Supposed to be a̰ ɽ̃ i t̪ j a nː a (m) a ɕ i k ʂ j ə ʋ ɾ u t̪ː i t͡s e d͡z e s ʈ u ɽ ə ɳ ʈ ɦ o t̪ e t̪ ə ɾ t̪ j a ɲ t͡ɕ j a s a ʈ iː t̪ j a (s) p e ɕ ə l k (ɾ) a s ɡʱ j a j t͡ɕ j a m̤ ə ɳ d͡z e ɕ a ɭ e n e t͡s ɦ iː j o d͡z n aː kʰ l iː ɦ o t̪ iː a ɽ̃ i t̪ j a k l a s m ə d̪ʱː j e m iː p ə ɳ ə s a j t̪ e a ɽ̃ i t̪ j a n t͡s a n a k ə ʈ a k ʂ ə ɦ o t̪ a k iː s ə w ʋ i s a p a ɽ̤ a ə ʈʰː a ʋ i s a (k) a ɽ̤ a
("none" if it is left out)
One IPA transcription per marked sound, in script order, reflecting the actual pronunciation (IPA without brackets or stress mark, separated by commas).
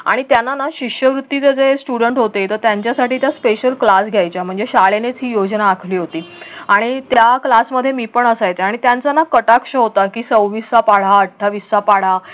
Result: n, s, l, p